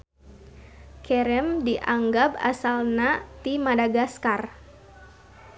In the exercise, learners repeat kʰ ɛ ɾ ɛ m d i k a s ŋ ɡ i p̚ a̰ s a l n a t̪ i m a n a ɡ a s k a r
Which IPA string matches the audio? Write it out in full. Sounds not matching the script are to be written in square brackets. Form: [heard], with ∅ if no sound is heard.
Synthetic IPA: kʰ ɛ ɾ ɛ m d i [ʔ] a [∅] ŋ ɡ [a] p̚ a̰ s a l n a t̪ i m a [d] a ɡ a s k a r